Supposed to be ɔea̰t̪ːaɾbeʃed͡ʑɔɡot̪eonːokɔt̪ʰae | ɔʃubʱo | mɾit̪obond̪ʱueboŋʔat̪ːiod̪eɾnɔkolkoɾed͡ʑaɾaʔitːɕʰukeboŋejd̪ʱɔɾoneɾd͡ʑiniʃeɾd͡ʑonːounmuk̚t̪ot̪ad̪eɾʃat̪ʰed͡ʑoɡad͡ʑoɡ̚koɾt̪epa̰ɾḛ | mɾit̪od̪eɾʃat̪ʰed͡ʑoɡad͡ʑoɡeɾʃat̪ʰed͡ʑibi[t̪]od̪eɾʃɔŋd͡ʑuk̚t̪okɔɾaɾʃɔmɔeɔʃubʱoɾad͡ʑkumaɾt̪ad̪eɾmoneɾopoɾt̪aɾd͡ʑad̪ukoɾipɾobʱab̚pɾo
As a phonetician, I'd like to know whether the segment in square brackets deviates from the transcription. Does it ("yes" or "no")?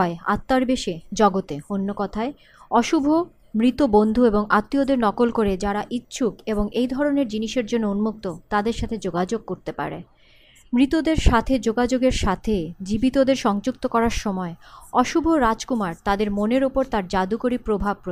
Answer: no